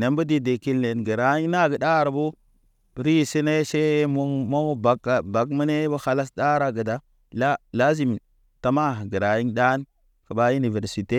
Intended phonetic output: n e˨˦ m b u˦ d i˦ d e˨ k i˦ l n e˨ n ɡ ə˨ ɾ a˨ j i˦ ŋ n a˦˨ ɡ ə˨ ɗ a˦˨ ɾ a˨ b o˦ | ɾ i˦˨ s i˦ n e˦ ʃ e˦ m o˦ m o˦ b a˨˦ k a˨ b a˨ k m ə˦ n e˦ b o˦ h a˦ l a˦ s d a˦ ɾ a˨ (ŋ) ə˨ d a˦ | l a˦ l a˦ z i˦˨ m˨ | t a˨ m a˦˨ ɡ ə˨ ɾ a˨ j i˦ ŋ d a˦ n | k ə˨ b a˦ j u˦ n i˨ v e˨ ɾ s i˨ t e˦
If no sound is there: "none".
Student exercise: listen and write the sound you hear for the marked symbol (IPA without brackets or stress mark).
ɡ